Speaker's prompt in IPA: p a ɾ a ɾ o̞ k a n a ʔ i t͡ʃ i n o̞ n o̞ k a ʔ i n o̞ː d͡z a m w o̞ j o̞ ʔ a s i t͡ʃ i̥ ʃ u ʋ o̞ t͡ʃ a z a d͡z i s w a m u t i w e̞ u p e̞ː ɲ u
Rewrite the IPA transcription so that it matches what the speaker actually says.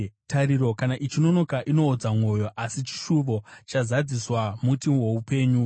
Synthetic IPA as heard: t a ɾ i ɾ o̞ k a n a ʔ i t͡ʃ i n o̞ n o̞ k a ʔ i n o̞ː d͡z a m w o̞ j o̞ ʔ a s i t͡ʃ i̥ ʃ u ʋ o̞ t͡ʃ a z a d͡z i s w a m u t i w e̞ u p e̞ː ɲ u

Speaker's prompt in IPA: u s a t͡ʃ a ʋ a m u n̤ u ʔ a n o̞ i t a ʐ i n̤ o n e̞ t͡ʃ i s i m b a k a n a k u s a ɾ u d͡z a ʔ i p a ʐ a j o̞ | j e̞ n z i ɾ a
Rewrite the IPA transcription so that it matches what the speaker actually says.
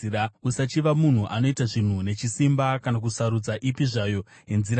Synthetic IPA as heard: u s a t͡ʃ i ʋ a m u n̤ u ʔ a n o̞ i t a ʐ i n̤ u n e̞ t͡ʃ i s i m b a k a n a k u s a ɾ u d͡z a ʔ i p i ʐ a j o̞ | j e̞ n z i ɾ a

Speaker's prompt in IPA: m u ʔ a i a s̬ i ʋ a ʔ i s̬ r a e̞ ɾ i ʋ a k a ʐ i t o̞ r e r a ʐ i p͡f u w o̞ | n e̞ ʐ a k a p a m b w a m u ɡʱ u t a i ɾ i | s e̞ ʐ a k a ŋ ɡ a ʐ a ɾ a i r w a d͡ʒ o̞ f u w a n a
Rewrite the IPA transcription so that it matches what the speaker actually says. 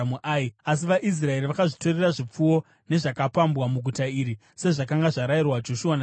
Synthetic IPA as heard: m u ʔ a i a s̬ i ʋ a ʔ i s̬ r a e̞ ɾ i ʋ a k a ʐ i t o̞ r e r a ʐ i p͡f u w o̞ | n e̞ ʐ a k a p a m b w a m u ɡʱ u t a i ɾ i | s e̞ ʐ a k a ŋ ɡ a ʐ a ɾ a i r w a d͡ʒ o̞ ʃ u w a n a

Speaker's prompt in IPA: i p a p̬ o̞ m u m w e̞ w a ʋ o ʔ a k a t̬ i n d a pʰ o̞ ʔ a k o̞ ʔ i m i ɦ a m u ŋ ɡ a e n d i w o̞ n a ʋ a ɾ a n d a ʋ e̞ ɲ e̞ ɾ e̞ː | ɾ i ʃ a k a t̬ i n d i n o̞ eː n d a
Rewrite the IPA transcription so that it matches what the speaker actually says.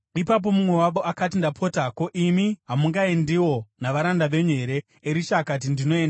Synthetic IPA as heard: i p a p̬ o̞ m u m w e̞ w a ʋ o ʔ a k a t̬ i n d a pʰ o̞ t a k o̞ ʔ i m i ɦ a m u ŋ ɡ a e n d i w o̞ n a ʋ a ɾ a n d a ʋ e̞ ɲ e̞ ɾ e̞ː | ɾ i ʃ a k a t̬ i n d i n o̞ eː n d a

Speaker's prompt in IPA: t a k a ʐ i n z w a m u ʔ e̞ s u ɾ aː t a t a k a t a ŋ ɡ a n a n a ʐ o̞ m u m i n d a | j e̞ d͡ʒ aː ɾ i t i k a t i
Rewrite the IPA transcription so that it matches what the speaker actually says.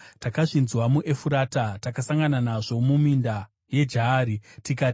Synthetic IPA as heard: t a k a ʐ i n z w a m u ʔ e̞ f u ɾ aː t a t a k a s a ŋ ɡ a n a n a ʐ o̞ m u m i n d a | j e̞ d͡ʒ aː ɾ i t i k a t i

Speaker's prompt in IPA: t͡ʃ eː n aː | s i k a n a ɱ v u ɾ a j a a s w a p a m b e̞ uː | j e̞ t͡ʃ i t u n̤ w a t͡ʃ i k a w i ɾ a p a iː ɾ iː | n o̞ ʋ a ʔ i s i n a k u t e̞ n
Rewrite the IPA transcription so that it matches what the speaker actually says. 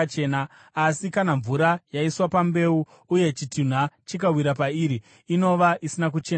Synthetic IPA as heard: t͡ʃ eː n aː | s i k a n a ɱ v u ɾ a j a i s w a p a m b e̞ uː | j e̞ t͡ʃ i t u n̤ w a t͡ʃ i k a w i ɾ a p a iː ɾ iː | n o̞ ʋ a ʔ i s i n a k u t͡ʃ e̞ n

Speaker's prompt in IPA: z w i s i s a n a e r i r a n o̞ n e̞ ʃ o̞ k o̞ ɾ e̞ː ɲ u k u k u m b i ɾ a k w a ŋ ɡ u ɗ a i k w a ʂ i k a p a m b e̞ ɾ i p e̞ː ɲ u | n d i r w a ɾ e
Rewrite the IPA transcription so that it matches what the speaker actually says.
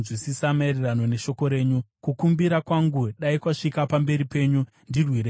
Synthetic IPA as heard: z w i s i s a m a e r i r a n o̞ n e̞ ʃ o̞ k o̞ ɾ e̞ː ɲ u k u k u m b i ɾ a k w a ŋ ɡ u ɗ a i k w a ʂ i k a p a m b e̞ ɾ i p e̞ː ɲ u | n d i r w i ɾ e

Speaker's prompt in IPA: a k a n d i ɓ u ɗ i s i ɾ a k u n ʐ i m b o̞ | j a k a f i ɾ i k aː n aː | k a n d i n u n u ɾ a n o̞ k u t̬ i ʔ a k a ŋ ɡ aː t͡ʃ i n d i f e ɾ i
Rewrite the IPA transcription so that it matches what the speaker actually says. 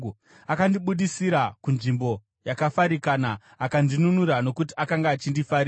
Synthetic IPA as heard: a k a n d i ɓ u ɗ i s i ɾ a k u n ʐ i m b o̞ | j a k a f a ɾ i k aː n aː | k a n d i n u n u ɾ a n o̞ k u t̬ i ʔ a k a ŋ ɡ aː t͡ʃ i n d i f a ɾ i

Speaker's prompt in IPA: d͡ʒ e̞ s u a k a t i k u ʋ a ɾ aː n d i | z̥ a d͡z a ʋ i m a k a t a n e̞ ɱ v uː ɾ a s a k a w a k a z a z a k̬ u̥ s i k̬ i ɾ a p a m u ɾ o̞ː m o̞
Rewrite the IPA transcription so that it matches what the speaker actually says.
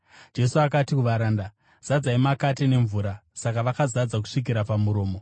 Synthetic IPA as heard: d͡ʒ e̞ s u a k a t i k u ʋ a ɾ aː n d a | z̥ a d͡z a i m a k a t i n e̞ ɱ v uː ɾ a s a k a ʋ a k a z a d͡z a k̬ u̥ ʂ i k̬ i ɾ a p a m u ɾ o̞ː m o̞

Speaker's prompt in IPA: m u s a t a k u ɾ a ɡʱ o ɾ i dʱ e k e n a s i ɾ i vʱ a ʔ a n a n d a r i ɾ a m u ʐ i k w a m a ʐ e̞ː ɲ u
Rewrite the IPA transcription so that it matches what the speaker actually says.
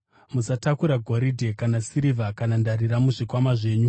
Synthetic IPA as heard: m u s a t a k u ɾ a ɡʱ o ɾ i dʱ e k a n a s i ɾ i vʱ a k a n a n d a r i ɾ a m u ʐ i k w a m a ʐ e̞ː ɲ u

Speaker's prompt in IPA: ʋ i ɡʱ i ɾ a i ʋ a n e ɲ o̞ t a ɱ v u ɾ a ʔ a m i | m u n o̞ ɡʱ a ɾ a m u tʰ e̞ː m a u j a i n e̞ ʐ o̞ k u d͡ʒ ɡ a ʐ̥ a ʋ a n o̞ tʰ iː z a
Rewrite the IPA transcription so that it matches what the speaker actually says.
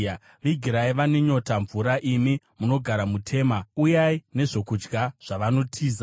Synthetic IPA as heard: ʋ i ɡʱ i ɾ a i ʋ a n e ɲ o̞ t a ɱ v u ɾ a ʔ i m i | m u n o̞ ɡʱ a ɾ a m u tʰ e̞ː m a u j a i n e̞ ʐ o̞ k u d͡ʒ ɡ a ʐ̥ a ʋ a n o̞ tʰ iː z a

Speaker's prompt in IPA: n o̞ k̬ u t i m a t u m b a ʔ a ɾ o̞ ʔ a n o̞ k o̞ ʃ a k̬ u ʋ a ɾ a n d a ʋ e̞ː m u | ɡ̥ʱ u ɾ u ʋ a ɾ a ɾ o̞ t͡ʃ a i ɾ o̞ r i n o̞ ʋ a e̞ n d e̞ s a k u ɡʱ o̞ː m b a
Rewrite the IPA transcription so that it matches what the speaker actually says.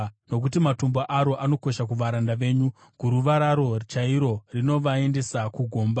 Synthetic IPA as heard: n o̞ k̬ u t i m a t u m b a ʔ a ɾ o̞ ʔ a n o̞ k o̞ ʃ a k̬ u ʋ a ɾ a n d a ʋ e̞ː ɲ u | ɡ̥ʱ u ɾ u ʋ a ɾ a ɾ o̞ t͡ʃ a i ɾ o̞ r i n o̞ ʋ a e̞ n d e̞ s a k u ɡʱ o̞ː m b a

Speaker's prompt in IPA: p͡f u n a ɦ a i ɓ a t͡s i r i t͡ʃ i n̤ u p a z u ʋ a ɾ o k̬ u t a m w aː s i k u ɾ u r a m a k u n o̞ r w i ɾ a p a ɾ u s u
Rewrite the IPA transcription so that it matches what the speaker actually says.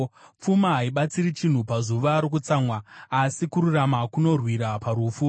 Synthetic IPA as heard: p͡f u m a ɦ a i ɓ a t͡s i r i t͡ʃ i n̤ u p a z u ʋ a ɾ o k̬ u t͡s a m w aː s i k u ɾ u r a m a k u n o̞ r w i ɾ a p a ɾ u f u

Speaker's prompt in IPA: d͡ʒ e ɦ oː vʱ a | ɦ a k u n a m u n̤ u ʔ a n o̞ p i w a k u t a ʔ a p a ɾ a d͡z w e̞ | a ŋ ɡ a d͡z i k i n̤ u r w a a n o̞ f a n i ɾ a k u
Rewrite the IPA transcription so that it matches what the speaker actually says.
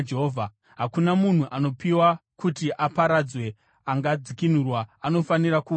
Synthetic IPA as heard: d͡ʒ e ɦ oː vʱ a | ɦ a k u n a m u n̤ u ʔ a n o̞ p i w a k u t i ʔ a p a ɾ a d͡z w e̞ | a ŋ ɡ a d͡z i k i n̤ u r w a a n o̞ f a n i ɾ a k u

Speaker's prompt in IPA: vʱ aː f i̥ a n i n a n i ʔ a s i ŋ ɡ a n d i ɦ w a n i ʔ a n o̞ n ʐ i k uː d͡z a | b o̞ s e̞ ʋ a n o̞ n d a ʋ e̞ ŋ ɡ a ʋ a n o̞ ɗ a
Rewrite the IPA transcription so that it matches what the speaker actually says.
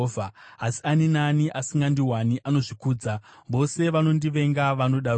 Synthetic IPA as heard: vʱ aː s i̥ a n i n a n i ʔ a s i ŋ ɡ a n d i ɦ w a n i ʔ a n o̞ ʐ i k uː d͡z a | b o̞ s e̞ ʋ a n o̞ n d i ʋ e̞ ŋ ɡ a ʋ a n o̞ ɗ a

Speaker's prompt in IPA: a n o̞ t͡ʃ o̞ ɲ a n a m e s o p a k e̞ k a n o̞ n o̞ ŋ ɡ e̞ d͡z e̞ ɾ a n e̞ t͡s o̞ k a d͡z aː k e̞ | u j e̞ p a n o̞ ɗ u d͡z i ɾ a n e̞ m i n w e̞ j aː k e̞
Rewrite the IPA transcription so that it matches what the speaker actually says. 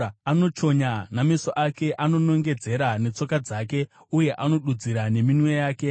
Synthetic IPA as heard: a n o̞ t͡ʃ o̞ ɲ a n a m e s o ʔ a k e̞ ʔ a n o̞ n o̞ ŋ ɡ e̞ d͡z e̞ ɾ a n e̞ t͡s o̞ k a d͡z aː k e̞ | u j e̞ ʔ a n o̞ ɗ u d͡z i ɾ a n e̞ m i n w e̞ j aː k e̞

